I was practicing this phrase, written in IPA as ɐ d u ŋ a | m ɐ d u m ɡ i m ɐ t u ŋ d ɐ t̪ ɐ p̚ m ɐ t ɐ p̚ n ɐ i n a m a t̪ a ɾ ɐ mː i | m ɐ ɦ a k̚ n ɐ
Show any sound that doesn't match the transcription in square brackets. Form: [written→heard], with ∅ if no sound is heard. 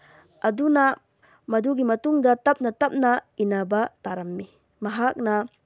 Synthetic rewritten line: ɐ d u [ŋ→n] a | m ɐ d u [m→∅] ɡ i m ɐ t u ŋ d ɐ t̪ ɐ p̚ [m→n] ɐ t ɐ p̚ n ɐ i n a [m→b] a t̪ a ɾ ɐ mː i | m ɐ ɦ a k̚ n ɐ

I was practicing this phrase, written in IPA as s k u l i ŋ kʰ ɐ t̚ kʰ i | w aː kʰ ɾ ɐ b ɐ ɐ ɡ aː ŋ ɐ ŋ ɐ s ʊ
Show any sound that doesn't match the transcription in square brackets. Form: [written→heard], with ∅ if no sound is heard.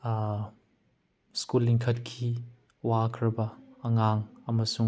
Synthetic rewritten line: s k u l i ŋ kʰ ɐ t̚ kʰ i | w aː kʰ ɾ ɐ b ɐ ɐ [ɡ→ŋ] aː ŋ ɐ [ŋ→m] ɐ s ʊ

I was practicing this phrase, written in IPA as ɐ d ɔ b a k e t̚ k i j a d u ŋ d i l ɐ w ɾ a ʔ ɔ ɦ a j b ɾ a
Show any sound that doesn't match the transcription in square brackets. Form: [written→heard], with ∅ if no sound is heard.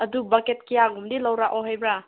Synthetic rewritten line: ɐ d [ɔ→u] b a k e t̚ k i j a [d→ɡ] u [ŋ→m] d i l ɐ w ɾ a ʔ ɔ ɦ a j b ɾ a

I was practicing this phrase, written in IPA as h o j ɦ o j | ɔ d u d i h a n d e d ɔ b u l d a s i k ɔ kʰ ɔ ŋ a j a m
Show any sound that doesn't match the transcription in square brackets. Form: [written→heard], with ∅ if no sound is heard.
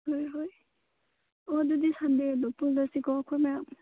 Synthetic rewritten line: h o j ɦ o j | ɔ d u d i [h→s] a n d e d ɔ [b→p] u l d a s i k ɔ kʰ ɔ [ŋ→m] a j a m

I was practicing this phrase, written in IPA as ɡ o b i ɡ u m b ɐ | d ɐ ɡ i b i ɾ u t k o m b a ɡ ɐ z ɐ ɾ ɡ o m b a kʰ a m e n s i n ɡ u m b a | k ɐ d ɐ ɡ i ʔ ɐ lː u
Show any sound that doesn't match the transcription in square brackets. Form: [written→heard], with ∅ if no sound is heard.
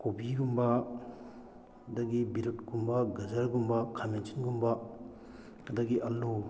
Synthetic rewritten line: [ɡ→k] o b i ɡ u m b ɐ | d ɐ ɡ i b i ɾ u t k [o→u] m b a ɡ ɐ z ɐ ɾ ɡ [o→u] m b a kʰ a m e n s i n ɡ u m b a | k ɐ d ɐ ɡ i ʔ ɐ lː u

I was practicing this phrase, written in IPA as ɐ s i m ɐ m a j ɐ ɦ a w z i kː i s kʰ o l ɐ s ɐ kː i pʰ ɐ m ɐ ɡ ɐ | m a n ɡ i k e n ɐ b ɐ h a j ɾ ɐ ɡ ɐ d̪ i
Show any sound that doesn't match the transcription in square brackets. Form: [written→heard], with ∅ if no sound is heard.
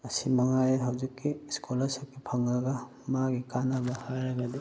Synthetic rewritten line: ɐ s i m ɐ [m→ŋ] a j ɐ ɦ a w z i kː i s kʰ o l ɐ s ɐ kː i pʰ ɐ [m→ŋ] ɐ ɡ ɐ | m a [n→∅] ɡ i k [e→a] n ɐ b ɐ h a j ɾ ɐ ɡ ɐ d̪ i

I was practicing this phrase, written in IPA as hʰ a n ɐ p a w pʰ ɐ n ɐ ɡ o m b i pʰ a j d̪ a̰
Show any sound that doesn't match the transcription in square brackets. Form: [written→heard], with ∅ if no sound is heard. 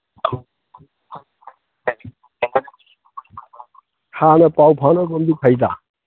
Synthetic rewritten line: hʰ a n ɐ p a w pʰ [ɐ→a] n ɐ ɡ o m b i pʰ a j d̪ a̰

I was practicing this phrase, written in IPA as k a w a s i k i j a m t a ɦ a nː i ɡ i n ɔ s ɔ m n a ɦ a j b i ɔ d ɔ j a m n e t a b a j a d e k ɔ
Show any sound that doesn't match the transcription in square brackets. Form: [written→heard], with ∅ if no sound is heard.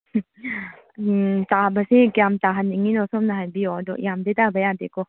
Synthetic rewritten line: [k→t] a [w→b] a s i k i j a m t a ɦ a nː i [ɡ→ŋ] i n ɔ s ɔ m n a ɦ a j b i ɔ d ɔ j a m [n→d] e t a b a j a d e k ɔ

